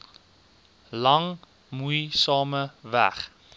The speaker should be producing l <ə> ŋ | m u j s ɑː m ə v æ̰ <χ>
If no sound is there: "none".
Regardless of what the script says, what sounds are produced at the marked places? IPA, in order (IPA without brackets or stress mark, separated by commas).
ɐ, χ